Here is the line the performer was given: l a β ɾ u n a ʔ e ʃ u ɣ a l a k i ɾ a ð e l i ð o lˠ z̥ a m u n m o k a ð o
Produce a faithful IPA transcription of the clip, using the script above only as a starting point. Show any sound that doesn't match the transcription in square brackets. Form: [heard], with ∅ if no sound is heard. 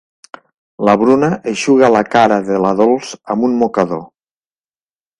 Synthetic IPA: l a β ɾ u n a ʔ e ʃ u ɣ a l a k [a] ɾ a ð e l [a] ð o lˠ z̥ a m u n m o k a ð o

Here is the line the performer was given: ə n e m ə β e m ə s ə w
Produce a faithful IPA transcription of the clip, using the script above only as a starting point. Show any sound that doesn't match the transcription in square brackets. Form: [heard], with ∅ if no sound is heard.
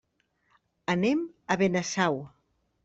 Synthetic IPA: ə n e m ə β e [n] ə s [a] w

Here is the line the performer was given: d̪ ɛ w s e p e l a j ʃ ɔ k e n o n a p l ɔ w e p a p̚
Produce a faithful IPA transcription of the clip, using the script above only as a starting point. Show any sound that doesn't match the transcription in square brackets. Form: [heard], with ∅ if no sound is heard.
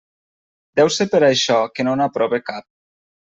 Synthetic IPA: d̪ ɛ w s e p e [ɾ] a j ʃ ɔ k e n o n a p [ɾ] ɔ [β] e [k] a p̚

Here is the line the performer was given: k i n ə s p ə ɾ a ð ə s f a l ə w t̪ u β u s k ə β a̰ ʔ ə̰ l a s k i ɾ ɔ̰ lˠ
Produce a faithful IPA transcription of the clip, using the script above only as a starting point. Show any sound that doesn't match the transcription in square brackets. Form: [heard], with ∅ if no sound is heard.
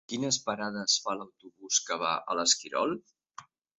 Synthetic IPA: k i n ə s p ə ɾ a ð ə s f a l ə w t̪ u β u s k ə β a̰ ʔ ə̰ l [ə] s k i ɾ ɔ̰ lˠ

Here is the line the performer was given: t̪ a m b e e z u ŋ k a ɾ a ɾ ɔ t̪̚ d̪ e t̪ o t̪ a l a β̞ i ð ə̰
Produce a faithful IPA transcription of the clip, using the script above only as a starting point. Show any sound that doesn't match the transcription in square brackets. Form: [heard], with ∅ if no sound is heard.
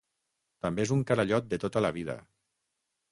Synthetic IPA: t̪ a m b e e z u ŋ k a ɾ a [ʎ] ɔ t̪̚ d̪ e t̪ o t̪ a l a β̞ i ð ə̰

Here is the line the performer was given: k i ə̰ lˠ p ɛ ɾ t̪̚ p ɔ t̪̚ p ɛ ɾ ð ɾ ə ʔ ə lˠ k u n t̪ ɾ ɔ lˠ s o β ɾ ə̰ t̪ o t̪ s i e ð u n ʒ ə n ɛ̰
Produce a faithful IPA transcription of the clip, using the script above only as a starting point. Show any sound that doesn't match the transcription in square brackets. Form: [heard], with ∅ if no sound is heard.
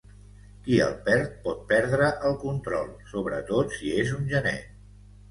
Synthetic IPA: k i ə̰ lˠ p ɛ ɾ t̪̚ p ɔ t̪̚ p ɛ ɾ ð ɾ ə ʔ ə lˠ k u n t̪ ɾ ɔ lˠ s o β ɾ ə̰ t̪ o t̪ s i e [z] u n ʒ ə n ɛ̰

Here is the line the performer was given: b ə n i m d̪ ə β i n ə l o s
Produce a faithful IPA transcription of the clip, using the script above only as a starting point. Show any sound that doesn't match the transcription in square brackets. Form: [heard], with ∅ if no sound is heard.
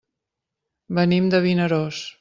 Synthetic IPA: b ə n i m d̪ ə β i n ə [ɾ] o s

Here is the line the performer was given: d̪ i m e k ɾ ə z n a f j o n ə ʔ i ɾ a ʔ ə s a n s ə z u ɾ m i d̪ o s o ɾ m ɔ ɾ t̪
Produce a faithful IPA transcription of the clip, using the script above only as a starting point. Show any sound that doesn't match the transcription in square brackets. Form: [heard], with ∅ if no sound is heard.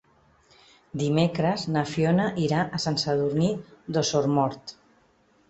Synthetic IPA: d̪ i m e k ɾ ə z n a f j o n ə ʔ i ɾ a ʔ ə s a n s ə [ð] u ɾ [n] i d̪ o s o ɾ m ɔ ɾ t̪

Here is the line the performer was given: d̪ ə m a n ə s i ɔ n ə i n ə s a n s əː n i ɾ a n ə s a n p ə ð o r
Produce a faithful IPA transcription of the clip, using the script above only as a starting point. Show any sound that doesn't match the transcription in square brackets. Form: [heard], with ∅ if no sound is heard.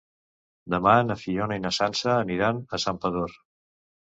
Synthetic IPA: d̪ ə m a n ə [f] i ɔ n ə i n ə s a n s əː n i ɾ a n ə s a [m] p ə ð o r

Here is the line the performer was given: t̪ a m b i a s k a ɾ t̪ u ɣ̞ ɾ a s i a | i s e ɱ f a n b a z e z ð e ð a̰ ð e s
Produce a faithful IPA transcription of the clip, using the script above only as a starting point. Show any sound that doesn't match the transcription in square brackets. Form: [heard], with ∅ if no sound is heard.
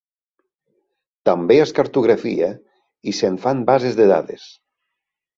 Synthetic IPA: t̪ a m b [e] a s k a ɾ t̪ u ɣ̞ ɾ a [f] i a | i s e ɱ f a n b a z e z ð e ð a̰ ð e s

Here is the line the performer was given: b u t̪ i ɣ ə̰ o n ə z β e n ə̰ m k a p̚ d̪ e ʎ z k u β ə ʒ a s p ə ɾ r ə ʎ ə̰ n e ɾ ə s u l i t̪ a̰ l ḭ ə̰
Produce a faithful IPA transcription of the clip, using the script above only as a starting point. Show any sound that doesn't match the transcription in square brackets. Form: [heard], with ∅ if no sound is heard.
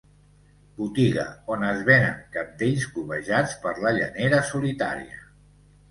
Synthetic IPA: b u t̪ i ɣ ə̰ o n ə z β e n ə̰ [ŋ] k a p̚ d̪ e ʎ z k u β ə ʒ a [t͡s] p ə ɾ [l] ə ʎ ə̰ n e ɾ ə s u l i t̪ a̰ [ɾ] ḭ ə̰

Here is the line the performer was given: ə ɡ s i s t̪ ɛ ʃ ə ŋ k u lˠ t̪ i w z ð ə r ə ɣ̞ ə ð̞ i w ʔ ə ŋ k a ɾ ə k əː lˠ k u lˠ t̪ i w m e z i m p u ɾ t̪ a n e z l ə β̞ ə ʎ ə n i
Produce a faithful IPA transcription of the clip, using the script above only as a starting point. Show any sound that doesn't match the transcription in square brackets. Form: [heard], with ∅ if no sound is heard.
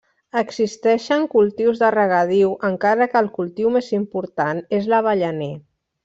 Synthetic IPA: ə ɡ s i s t̪ ɛ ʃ ə ŋ k u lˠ t̪ i w z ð ə r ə ɣ̞ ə ð̞ i w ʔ ə ŋ k a ɾ ə k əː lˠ k u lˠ t̪ i w m e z i m p u ɾ t̪ a n e z l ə β̞ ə ʎ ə n [e]

